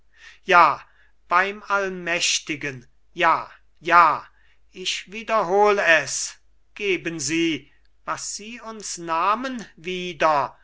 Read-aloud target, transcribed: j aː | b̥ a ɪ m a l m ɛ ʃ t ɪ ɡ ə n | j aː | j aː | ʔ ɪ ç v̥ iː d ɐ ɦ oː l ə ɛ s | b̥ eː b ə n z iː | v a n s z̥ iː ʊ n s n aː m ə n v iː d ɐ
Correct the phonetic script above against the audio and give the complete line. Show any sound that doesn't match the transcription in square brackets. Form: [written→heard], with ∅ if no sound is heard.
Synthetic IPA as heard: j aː | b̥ a ɪ m a l m ɛ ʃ t ɪ ɡ ə n | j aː | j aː | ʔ ɪ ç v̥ iː d ɐ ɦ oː l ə ɛ s | [b̥→ɡ̥] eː b ə n z iː | v a [n→∅] s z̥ iː ʊ n s n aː m ə n v iː d ɐ